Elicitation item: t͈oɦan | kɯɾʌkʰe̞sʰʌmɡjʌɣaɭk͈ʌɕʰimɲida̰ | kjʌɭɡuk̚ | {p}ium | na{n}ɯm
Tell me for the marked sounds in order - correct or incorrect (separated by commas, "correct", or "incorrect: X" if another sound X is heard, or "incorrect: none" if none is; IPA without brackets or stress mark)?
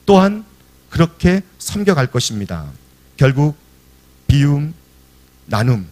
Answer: correct, correct